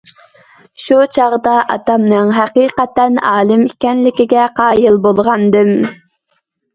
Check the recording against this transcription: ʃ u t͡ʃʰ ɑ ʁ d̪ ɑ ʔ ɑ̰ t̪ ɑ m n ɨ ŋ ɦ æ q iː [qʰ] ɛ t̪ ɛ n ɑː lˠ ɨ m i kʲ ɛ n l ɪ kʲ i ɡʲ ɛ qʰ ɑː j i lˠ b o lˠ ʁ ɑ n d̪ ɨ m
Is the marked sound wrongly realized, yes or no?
yes